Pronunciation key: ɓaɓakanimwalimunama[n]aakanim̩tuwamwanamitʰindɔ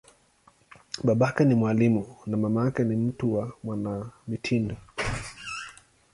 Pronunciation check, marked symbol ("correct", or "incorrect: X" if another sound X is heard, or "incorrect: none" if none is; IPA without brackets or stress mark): incorrect: m